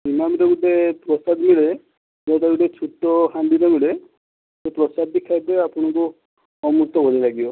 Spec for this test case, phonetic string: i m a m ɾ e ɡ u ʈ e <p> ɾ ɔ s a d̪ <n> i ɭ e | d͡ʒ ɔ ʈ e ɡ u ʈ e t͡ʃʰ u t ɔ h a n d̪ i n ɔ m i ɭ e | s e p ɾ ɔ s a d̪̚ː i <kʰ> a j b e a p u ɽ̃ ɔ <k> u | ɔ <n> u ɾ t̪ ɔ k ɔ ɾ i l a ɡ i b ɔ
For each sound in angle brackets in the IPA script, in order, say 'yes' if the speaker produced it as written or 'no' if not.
yes, no, yes, yes, no

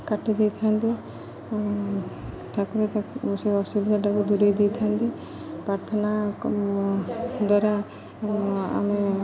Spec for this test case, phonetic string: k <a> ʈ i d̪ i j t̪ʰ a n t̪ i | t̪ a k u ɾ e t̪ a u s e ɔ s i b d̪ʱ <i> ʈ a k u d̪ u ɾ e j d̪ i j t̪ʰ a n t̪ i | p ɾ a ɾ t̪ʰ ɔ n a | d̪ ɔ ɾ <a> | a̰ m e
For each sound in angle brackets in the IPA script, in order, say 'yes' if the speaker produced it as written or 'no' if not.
yes, no, yes

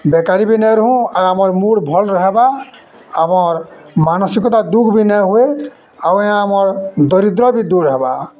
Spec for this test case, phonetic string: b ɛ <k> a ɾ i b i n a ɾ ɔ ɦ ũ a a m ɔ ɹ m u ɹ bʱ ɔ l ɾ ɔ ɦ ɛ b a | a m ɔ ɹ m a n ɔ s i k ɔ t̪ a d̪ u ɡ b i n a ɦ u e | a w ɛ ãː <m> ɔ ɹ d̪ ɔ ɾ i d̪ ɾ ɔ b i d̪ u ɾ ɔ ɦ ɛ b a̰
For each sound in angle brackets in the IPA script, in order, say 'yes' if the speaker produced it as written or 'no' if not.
yes, yes

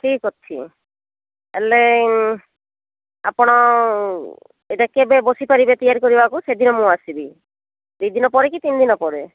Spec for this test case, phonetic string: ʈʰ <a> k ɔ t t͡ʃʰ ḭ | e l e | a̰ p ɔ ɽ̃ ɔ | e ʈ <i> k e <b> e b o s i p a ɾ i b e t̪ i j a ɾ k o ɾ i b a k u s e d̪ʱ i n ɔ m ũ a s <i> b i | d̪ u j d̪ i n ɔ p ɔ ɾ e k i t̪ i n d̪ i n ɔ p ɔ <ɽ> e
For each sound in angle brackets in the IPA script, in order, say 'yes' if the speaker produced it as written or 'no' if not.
no, no, yes, yes, no

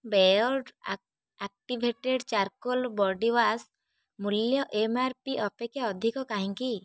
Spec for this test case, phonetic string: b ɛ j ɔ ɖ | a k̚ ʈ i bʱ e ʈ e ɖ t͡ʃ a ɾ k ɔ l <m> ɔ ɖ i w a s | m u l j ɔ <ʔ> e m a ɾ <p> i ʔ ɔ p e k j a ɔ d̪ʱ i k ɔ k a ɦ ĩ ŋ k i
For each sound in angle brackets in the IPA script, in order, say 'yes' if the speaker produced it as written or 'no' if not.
no, yes, yes

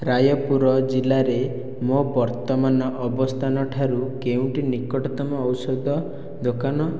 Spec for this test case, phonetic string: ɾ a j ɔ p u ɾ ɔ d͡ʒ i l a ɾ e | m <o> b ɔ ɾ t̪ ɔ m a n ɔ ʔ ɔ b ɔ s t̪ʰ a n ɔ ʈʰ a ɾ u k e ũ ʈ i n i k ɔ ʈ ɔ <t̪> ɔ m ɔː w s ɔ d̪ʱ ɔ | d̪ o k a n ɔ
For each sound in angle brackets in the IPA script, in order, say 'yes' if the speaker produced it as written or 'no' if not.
yes, yes

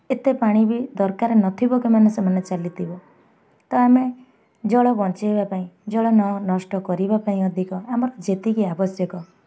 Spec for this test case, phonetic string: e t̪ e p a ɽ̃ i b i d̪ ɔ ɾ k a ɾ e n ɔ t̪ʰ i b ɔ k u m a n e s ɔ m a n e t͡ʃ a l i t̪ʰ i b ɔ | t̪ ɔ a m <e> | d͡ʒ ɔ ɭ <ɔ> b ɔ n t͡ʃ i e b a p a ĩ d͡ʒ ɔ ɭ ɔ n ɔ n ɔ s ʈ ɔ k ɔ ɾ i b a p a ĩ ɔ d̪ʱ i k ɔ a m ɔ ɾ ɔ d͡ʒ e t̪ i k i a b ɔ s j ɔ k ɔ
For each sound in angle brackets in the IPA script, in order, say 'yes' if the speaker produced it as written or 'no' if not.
yes, yes

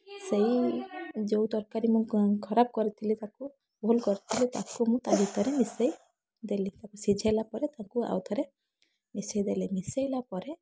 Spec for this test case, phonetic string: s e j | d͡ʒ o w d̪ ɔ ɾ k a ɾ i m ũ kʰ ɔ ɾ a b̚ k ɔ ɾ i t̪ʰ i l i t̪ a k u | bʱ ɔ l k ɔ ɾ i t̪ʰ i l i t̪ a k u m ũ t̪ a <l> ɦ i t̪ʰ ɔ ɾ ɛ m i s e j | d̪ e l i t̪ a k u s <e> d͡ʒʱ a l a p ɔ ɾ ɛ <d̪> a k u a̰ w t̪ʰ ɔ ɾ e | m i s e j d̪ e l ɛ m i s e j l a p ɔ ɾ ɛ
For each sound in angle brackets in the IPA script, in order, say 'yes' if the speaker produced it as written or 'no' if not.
no, no, no

